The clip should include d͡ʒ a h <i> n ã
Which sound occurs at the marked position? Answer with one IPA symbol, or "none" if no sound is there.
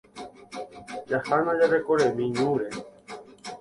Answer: a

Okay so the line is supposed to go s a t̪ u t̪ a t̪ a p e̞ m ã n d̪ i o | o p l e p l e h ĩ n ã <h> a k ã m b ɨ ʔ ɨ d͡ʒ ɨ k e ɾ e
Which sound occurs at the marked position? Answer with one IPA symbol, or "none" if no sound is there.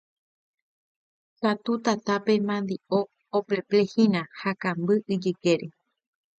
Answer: h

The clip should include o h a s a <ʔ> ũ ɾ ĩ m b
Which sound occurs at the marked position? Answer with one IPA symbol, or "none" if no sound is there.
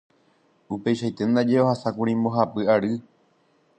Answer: k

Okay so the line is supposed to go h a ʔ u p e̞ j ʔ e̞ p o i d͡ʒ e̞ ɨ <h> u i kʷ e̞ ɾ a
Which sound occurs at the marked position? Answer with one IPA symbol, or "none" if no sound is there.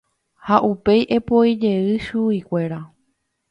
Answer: ʃ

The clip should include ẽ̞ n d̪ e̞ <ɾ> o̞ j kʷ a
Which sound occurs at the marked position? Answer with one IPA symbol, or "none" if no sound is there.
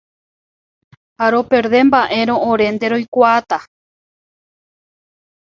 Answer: ɾ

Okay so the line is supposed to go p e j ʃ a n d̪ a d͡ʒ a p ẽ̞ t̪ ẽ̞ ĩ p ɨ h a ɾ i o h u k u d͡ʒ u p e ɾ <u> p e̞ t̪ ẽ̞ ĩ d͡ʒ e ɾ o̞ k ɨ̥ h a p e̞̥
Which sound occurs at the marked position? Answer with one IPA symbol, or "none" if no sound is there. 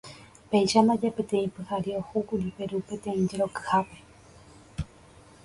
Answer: u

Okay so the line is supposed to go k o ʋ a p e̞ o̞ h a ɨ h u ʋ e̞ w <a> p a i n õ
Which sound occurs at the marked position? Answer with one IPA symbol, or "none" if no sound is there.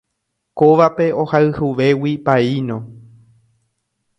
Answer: i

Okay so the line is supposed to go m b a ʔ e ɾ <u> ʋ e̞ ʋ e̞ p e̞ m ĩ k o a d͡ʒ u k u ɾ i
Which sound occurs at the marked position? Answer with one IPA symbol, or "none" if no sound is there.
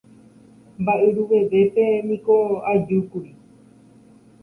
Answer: u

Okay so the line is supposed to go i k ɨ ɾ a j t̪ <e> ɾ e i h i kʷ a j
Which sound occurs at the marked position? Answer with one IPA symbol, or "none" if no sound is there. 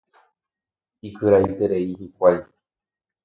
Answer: e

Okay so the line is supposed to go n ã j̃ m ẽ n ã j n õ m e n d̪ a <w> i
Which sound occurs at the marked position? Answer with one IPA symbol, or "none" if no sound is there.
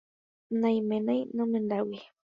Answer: w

